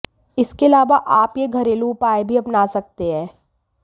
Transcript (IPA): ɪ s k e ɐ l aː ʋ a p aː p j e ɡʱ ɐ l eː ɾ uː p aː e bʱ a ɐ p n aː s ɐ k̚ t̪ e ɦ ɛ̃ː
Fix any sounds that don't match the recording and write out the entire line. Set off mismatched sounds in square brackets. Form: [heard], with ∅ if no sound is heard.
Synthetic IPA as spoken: ɪ s k e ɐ l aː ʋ a [ʔ] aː p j e ɡʱ ɐ [ɾ] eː [l] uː p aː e bʱ [i] ɐ p n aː s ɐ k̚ t̪ e ɦ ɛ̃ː